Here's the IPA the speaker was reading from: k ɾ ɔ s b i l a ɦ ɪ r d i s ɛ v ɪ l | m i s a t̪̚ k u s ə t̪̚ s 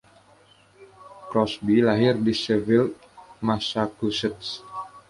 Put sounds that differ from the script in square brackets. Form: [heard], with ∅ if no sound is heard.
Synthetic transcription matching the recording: k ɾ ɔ s b i l a ɦ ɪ r d i s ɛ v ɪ l | m [a] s a [∅] k u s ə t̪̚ s